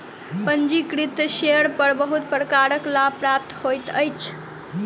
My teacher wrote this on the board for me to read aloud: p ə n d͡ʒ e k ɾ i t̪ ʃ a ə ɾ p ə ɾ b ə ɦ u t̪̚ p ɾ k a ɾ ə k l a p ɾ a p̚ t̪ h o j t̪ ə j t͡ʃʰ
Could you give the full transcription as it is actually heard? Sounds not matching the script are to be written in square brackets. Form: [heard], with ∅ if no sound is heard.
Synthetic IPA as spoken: p ə n d͡ʒ [i] k ɾ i t̪ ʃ [e] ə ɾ p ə ɾ b ə ɦ u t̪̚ p ɾ k a ɾ ə k l a p ɾ a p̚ t̪ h o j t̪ ə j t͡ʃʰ